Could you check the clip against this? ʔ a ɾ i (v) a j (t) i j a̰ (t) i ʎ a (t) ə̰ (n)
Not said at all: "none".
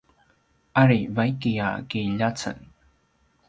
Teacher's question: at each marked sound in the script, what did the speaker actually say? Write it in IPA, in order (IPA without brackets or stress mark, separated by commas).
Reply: v, k, k, t͡s, n